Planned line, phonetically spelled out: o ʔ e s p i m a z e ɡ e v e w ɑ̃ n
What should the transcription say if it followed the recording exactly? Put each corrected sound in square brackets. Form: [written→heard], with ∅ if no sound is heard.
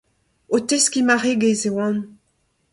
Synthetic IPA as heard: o [ʔ→t] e s [p→k] i m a [z→ʁ] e ɡ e [v→z] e w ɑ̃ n